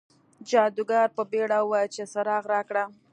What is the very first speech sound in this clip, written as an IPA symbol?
d͡ʒ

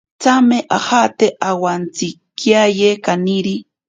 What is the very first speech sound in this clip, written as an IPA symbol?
t͡s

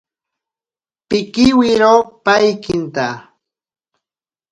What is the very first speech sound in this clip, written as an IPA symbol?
p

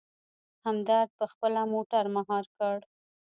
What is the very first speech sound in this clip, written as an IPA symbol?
h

